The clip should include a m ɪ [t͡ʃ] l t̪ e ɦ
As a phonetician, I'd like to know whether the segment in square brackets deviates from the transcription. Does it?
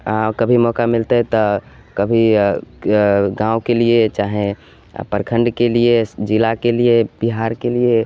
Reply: yes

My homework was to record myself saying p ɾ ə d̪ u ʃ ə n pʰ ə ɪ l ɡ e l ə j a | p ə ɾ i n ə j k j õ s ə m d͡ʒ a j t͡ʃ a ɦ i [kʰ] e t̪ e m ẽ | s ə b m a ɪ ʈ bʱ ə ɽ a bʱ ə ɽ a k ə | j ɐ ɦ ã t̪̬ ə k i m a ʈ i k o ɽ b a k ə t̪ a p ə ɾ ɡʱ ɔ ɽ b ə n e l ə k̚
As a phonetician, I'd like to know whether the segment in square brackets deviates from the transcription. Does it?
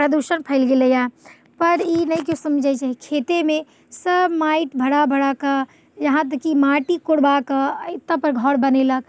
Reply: no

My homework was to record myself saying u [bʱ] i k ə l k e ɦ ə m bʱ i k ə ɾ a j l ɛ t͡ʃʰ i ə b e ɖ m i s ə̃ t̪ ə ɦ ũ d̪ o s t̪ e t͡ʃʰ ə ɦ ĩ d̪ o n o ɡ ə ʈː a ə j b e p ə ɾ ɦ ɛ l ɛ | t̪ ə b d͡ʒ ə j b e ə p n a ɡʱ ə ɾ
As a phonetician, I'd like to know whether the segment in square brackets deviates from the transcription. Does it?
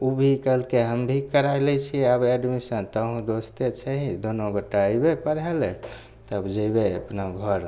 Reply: no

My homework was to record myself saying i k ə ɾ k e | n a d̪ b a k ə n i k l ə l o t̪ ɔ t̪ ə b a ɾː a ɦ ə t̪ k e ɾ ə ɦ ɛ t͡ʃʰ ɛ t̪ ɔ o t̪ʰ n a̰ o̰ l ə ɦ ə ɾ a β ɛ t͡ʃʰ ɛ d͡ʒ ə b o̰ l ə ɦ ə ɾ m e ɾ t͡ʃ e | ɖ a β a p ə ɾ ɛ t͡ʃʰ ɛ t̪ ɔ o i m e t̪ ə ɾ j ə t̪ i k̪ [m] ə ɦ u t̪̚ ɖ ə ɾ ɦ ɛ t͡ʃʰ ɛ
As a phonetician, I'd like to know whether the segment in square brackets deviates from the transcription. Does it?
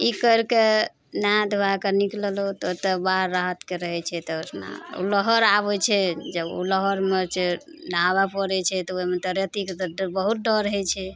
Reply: yes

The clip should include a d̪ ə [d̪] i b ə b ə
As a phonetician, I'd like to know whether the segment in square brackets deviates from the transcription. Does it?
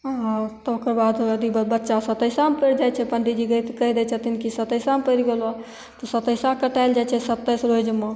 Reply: no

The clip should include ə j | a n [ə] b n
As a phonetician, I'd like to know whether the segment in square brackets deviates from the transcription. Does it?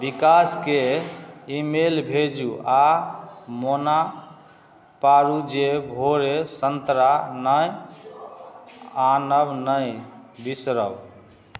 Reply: no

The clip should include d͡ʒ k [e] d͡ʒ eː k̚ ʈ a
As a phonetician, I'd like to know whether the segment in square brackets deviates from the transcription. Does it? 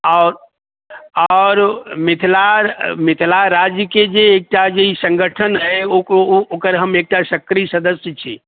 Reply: no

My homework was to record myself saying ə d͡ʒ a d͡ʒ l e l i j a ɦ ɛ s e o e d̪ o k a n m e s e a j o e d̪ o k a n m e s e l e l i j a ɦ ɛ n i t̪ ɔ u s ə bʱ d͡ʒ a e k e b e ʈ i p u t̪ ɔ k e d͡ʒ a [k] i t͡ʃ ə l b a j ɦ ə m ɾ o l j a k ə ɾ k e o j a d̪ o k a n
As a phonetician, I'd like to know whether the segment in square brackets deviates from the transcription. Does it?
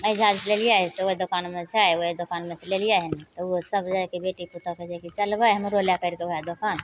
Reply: no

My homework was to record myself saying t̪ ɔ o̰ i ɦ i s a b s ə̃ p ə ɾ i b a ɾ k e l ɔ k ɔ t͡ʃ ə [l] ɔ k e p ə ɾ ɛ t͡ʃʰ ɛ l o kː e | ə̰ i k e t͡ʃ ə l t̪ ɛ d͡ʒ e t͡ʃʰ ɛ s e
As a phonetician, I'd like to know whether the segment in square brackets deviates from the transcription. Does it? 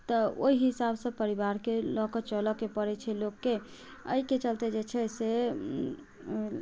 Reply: no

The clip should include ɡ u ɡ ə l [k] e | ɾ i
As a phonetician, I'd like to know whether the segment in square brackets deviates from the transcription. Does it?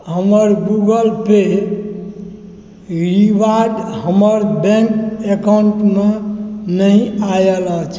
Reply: yes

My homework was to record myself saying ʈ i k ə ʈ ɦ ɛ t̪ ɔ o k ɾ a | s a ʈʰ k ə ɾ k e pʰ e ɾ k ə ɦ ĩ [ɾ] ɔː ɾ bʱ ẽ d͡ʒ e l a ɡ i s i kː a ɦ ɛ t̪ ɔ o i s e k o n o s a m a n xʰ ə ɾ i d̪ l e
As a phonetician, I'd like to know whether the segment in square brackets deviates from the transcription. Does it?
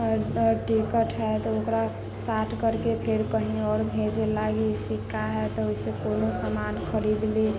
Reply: yes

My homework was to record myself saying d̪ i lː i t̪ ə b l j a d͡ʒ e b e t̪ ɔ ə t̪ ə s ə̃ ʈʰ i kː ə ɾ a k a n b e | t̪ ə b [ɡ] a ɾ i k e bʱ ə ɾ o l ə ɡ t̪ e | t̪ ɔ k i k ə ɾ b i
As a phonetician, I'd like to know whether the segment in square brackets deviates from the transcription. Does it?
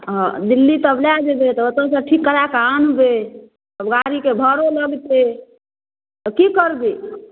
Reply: no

